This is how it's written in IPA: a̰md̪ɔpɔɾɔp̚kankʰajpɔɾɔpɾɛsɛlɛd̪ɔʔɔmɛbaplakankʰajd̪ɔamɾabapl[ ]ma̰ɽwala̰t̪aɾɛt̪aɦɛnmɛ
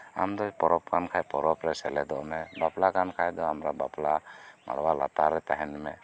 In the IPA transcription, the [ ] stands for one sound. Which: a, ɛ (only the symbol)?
a